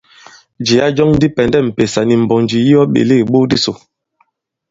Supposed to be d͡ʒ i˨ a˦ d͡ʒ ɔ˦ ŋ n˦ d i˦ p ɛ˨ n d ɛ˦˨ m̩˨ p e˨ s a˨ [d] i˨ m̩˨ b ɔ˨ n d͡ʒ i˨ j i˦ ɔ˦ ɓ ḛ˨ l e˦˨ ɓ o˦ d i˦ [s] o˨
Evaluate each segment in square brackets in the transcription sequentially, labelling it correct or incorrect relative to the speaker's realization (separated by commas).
incorrect, correct